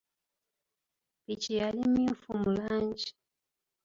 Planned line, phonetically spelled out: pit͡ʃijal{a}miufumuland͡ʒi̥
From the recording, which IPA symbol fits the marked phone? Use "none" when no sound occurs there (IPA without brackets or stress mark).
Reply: i